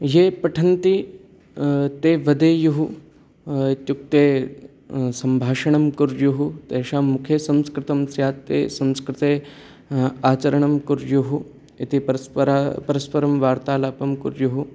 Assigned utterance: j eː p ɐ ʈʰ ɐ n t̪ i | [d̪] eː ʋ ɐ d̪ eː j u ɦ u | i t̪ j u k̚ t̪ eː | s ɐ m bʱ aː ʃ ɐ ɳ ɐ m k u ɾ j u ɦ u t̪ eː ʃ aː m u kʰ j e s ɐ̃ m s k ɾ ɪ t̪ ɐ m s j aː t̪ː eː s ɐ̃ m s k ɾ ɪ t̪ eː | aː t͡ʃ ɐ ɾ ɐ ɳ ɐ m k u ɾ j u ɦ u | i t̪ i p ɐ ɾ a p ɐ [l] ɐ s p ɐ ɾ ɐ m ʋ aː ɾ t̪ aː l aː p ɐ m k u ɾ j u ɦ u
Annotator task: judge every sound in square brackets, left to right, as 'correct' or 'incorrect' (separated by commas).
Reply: incorrect, incorrect